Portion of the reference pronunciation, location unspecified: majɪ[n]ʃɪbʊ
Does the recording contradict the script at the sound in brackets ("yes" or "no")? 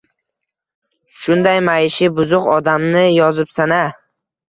yes